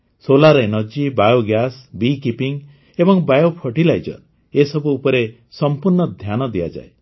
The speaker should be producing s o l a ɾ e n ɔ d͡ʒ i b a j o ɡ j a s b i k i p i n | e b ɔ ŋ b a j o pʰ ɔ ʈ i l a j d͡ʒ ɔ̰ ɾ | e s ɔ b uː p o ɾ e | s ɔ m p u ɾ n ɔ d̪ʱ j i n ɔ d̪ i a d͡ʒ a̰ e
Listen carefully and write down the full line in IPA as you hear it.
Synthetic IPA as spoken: s o l a ɾ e n ɔ d͡ʒ i b a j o ɡ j a s b i k i p i ŋ | e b ɔ ŋ b a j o pʰ ɔ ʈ i l a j d͡ʒ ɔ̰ ɾ | e s ɔ b uː p ɔ ɾ e | s ɔ m p u ɾ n ɔ d̪ʱ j a n ɔ d̪ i a d͡ʒ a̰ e